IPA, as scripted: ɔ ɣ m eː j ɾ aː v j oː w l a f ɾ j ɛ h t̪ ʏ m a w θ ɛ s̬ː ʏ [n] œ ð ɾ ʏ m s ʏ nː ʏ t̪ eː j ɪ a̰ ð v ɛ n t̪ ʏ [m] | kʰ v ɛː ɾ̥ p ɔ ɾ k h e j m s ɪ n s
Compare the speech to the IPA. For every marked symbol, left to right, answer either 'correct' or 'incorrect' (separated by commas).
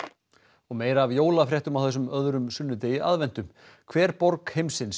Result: incorrect, correct